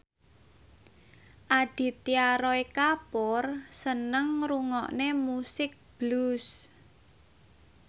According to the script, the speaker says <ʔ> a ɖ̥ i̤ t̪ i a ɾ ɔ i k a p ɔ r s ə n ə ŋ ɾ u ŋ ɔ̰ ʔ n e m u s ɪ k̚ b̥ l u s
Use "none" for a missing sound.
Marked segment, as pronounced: ʔ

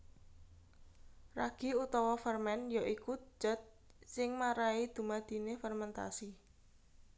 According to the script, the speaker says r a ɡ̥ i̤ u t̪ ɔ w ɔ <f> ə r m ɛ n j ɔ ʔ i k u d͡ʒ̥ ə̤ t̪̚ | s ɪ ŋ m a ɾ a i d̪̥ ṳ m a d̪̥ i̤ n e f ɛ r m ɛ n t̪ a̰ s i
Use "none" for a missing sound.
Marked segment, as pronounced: f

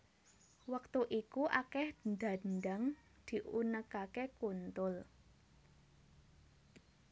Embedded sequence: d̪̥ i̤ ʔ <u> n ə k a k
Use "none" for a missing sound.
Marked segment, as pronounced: u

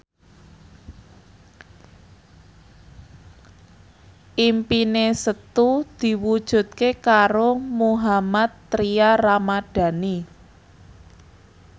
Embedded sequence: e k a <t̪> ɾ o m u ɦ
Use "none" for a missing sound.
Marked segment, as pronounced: none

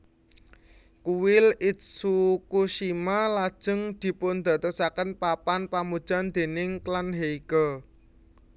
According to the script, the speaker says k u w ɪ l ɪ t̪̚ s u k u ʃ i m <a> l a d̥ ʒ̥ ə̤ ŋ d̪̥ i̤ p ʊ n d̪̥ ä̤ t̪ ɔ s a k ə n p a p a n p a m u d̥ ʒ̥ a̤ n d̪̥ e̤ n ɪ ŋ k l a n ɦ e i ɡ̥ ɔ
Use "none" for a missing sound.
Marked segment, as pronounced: a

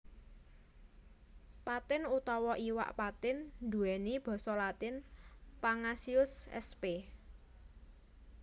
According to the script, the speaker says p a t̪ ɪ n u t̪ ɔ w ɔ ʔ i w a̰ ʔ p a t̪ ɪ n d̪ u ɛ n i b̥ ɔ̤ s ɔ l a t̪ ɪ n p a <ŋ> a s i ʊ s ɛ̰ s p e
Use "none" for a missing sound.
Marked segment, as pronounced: ŋ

